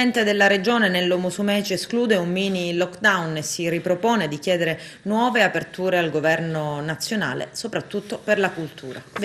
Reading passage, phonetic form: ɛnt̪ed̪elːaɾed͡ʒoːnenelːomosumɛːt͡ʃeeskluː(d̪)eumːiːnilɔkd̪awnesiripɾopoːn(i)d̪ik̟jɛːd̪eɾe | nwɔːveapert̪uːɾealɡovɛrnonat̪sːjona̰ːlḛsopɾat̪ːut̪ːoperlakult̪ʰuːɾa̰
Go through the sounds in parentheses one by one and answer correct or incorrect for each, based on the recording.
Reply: correct, incorrect: e

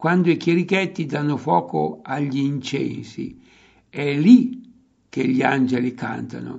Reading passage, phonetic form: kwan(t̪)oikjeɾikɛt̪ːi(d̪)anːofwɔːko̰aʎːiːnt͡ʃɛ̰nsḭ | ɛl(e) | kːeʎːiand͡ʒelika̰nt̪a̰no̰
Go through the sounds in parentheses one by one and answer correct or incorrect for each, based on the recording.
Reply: incorrect: d̪, correct, incorrect: i

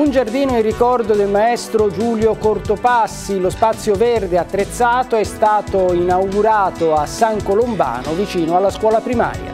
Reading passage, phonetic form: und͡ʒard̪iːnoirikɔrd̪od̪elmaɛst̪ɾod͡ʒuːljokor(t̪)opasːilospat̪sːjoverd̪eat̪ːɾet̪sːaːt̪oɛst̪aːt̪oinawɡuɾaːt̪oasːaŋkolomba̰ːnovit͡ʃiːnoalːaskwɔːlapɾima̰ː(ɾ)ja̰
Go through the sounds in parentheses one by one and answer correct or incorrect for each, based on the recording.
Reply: correct, correct

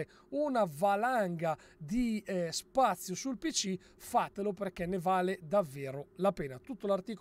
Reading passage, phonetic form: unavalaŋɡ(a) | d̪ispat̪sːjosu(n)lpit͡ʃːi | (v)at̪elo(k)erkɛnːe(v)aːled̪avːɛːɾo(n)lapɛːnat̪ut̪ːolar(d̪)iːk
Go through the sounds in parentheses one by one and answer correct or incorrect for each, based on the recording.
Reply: correct, incorrect: none, incorrect: f, incorrect: p, correct, incorrect: none, incorrect: t̪

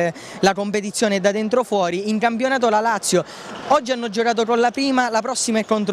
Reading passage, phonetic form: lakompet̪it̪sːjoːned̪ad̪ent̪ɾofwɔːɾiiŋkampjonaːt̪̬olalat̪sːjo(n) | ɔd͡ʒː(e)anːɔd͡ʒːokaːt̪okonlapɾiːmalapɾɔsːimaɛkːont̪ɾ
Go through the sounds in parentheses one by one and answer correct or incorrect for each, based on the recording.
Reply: incorrect: none, incorrect: i

